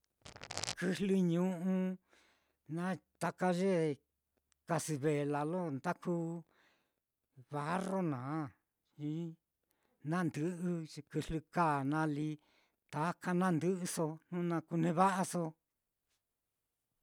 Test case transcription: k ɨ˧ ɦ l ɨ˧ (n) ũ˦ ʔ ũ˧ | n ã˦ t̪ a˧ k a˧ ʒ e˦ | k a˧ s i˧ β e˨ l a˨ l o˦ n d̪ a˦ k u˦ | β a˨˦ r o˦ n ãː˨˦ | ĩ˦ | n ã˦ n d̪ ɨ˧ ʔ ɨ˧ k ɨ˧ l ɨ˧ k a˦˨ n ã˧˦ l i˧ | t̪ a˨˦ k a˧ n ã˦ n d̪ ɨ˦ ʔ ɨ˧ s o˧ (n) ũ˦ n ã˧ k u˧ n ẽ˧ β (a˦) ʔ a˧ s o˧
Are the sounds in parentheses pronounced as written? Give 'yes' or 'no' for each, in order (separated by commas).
no, yes, yes